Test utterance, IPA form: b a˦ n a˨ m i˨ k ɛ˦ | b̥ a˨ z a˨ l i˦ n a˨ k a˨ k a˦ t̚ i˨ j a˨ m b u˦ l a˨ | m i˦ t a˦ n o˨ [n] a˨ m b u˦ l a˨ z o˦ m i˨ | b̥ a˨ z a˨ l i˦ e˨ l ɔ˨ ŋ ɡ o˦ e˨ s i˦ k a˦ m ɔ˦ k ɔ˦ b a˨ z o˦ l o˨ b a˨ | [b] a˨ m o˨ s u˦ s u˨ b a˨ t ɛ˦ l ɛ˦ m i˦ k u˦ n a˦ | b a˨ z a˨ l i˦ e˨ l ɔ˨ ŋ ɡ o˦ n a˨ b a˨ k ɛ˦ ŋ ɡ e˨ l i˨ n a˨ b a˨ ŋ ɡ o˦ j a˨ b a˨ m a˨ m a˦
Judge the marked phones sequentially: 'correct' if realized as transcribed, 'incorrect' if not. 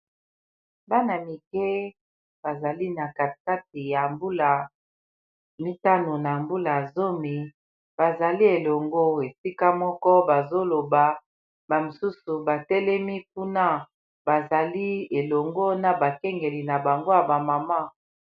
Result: correct, correct

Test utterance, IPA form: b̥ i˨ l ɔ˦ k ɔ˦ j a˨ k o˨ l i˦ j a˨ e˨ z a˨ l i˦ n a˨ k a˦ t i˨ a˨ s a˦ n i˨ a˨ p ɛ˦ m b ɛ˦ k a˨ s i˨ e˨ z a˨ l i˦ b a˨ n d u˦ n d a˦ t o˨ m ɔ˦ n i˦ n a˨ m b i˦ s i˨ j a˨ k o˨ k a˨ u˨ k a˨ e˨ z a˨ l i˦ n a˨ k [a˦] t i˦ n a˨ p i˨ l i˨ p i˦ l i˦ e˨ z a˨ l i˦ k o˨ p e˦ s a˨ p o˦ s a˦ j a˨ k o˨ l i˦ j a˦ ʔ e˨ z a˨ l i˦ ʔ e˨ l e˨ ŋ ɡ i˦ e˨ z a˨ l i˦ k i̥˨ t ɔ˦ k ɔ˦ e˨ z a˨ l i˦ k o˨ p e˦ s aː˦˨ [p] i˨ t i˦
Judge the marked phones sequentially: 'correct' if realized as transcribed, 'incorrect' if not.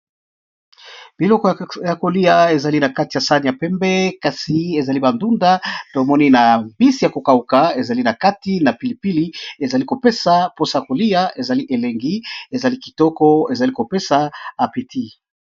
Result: correct, correct

